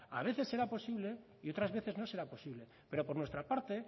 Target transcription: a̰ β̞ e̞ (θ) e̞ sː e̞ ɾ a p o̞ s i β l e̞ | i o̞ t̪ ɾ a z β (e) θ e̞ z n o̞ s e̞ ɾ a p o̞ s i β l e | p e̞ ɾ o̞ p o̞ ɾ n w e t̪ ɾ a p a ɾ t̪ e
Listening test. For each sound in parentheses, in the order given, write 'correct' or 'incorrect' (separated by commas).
correct, correct